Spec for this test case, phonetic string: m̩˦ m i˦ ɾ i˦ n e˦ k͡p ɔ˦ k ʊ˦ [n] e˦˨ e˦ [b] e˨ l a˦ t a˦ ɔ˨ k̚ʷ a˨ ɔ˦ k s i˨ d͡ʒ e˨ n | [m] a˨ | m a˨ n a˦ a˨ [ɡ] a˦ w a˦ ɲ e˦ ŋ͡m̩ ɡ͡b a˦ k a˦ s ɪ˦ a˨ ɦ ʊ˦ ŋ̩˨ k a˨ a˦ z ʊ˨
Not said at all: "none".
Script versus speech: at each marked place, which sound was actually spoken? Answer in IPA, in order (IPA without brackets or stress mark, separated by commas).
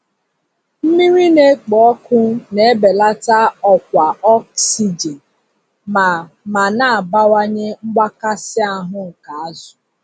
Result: n, b, m, b